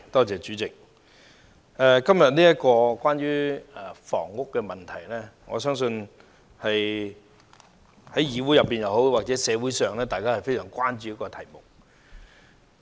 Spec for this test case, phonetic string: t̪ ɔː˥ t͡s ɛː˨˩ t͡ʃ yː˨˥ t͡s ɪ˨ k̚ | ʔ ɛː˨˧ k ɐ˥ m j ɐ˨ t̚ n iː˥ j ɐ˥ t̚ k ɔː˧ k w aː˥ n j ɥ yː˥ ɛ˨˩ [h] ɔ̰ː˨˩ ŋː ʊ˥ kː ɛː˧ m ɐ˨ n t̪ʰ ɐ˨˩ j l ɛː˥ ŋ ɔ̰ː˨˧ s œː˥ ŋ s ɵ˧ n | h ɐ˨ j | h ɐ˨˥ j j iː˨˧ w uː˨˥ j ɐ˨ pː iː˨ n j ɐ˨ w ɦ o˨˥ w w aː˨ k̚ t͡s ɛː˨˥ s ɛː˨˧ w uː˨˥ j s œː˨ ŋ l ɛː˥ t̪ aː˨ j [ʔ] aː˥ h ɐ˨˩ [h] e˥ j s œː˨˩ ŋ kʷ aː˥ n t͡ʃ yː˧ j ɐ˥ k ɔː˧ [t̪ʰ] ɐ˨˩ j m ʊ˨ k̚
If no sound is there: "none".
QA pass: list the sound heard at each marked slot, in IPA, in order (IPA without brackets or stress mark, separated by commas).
f, k, f, t̪ʰ